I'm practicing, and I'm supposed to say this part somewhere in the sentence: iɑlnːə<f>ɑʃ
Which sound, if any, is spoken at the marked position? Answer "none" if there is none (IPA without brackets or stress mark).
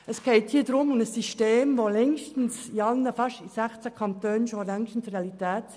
f